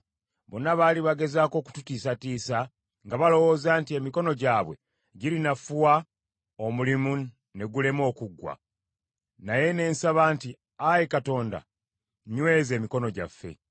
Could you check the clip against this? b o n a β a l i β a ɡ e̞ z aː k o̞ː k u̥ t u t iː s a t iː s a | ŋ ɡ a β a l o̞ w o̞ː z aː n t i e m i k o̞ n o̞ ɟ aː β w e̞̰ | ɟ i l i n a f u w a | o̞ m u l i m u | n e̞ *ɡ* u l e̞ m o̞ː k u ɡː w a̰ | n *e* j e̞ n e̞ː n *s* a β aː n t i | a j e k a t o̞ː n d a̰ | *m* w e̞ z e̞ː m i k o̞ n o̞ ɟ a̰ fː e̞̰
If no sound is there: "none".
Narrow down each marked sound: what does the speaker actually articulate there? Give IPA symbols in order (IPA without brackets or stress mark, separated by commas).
ɡ, a, s, ɲ